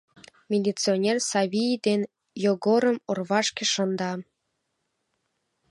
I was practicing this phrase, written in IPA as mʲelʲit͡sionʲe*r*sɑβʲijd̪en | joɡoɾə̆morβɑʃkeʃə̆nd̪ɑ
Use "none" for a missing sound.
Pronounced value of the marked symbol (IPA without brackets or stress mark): r